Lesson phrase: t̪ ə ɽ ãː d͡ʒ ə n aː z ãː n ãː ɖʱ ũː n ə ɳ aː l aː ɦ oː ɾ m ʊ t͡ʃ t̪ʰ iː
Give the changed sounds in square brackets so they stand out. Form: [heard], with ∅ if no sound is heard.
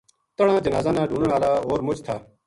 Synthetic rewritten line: t̪ ə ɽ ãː d͡ʒ ə n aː z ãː n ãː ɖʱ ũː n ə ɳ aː l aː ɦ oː ɾ m ʊ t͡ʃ t̪ʰ [aː]